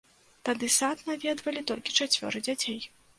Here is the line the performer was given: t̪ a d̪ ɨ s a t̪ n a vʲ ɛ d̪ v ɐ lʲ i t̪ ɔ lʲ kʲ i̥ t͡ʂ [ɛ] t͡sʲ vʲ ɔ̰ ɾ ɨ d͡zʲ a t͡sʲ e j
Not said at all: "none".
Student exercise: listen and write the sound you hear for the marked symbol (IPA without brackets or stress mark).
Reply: a